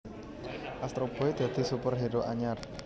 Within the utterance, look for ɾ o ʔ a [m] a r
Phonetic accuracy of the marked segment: incorrect: ɲ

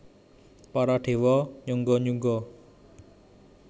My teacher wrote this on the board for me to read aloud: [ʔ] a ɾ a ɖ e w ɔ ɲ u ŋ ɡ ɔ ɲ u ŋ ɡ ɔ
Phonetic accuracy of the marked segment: incorrect: p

